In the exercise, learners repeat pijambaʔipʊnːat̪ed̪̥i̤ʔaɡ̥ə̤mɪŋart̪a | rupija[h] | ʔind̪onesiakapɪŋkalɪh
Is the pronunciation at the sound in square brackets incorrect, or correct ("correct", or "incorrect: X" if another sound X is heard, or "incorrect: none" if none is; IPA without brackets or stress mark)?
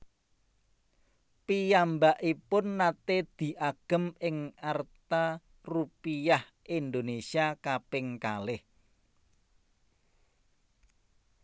correct